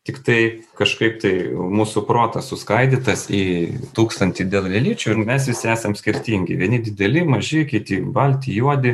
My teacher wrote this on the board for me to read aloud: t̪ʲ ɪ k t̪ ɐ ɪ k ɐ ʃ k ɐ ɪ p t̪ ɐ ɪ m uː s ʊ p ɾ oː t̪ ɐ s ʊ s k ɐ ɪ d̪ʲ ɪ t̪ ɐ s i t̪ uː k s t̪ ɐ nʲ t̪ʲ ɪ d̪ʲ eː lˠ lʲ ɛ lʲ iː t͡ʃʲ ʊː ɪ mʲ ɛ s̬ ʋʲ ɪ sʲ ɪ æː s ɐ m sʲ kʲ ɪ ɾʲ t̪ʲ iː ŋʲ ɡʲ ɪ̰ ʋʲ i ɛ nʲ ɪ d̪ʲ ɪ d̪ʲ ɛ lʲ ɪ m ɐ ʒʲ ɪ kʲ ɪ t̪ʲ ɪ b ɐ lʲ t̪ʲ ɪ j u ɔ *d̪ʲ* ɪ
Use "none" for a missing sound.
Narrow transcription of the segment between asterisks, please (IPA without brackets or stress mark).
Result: d̪ʲ